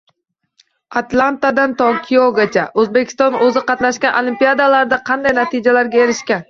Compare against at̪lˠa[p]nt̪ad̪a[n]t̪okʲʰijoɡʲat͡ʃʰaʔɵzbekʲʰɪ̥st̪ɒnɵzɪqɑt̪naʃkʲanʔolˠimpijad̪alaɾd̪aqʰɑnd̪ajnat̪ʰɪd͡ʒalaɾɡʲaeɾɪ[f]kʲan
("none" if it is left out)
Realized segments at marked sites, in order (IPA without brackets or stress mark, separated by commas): none, n, ʃ